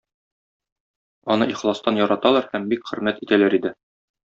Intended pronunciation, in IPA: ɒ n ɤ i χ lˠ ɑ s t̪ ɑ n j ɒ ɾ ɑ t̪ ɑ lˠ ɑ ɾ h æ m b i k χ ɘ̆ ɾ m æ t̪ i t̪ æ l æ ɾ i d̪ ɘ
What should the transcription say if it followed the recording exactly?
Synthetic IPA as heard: ɒ n ɤ i χ lˠ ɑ s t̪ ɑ n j ɒ ɾ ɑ t̪ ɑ lˠ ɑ ɾ h æ m b i k χ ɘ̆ ɾ m æ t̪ i t̪ æ l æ ɾ i d̪ ɘ